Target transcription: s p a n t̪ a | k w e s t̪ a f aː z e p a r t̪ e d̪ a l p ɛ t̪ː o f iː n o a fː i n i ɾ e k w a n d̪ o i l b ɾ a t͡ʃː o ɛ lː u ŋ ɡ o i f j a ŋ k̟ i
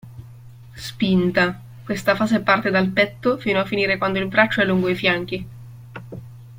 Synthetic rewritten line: s p i n t̪ a | k w e s t̪ a f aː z e p a r t̪ e d̪ a l p ɛ t̪ː o f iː n o a fː i n iː ɾ e k w a n d̪ o i l b ɾ a t͡ʃː o ɛ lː u ŋ ɡ o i f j a ŋ k̟ i

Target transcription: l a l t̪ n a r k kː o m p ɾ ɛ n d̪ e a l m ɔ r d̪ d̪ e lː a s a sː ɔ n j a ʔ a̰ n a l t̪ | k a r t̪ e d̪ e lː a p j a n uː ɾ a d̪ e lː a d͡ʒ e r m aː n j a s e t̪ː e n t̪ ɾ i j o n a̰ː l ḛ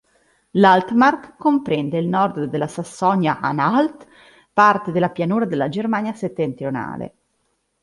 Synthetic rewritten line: l a l t̪ m a r k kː o m p ɾ ɛ n d̪ e i l n ɔ r d̪ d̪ e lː a s a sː ɔ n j a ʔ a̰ n a l t̪ | p a r t̪ e d̪ e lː a p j a n uː ɾ a d̪ e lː a d͡ʒ e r m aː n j a s e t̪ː e n t̪ ɾ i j o n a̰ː l ḛ

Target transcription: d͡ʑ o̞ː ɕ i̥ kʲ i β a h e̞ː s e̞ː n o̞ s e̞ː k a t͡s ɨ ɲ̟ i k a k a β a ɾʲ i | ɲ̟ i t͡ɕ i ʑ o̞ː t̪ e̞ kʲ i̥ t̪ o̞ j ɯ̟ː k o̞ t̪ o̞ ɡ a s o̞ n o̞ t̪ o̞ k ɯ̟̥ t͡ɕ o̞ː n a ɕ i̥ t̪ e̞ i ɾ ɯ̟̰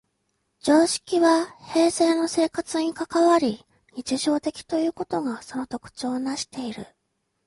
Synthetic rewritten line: d͡ʑ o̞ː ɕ i̥ kʲ i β a h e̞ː s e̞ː n o̞ s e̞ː k a t͡s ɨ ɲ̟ i k a k a β a ɾʲ i | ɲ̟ i t͡ɕ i ʑ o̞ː t̪ e̞ kʲ i̥ t̪ o̞ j ɯ̟ː k o̞ t̪ o̞ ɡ a s o̞ n o̞ t̪ o̞ k ɯ̟̥ t͡ɕ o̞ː n a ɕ i̥ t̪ e̞ i ɾ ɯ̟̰

